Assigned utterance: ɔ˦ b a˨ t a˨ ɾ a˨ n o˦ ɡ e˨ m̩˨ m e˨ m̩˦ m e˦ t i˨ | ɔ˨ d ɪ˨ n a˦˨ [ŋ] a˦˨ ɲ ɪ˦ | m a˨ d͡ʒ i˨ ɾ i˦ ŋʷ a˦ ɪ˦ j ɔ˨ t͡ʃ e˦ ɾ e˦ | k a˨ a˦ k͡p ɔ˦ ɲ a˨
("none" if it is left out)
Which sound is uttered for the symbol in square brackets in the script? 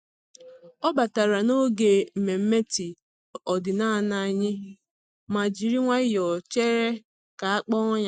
n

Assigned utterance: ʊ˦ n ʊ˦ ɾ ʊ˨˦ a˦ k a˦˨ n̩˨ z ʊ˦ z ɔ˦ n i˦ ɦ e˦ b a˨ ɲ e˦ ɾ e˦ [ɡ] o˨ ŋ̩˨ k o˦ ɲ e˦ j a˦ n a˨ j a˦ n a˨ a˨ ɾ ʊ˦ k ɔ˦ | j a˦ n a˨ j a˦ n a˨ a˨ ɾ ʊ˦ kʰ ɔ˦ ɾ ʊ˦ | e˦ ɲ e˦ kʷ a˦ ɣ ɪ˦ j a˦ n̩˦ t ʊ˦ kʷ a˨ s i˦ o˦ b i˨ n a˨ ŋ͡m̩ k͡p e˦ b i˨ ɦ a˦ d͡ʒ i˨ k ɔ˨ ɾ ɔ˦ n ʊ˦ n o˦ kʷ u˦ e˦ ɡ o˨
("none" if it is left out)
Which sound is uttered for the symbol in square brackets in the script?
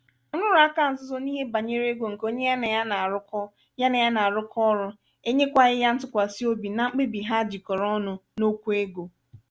ɡ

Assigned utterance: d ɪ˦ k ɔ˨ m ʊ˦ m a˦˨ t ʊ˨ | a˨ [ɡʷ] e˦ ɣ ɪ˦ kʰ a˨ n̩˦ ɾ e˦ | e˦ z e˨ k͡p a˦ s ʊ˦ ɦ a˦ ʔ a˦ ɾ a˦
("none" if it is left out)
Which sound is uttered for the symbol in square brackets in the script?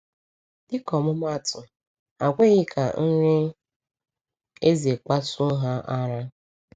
ɡʷ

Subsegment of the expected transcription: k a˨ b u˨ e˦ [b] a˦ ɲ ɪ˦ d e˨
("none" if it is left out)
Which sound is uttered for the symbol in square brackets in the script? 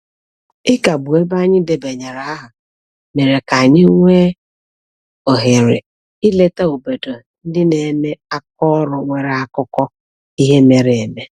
b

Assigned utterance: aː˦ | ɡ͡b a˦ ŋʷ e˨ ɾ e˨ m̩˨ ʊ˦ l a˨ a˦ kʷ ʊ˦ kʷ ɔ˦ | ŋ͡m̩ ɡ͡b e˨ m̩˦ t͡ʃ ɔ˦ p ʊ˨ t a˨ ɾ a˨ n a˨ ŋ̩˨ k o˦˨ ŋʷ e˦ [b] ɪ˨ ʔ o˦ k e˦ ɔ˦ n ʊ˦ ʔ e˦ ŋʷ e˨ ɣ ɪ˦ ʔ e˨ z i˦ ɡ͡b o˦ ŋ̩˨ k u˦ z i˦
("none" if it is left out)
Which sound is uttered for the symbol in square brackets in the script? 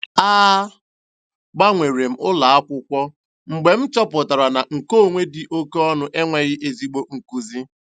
d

